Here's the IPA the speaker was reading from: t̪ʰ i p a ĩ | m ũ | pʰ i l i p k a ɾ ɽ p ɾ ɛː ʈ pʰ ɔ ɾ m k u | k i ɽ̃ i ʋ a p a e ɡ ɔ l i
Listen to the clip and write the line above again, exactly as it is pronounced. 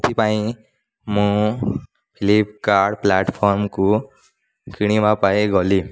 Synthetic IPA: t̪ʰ i p a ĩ | m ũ | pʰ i l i p k a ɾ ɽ p l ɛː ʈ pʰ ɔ ɾ m k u | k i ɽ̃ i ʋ a p a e ɡ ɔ l i